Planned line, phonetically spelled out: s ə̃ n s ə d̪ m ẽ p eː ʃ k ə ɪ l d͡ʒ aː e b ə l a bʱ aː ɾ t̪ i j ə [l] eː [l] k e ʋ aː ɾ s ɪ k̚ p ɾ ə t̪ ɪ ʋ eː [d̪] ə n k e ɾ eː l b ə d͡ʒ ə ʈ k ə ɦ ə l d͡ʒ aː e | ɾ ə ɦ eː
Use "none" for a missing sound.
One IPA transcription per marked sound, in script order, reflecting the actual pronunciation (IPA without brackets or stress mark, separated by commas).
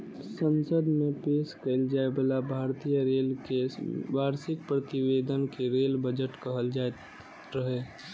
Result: ɾ, l, d̪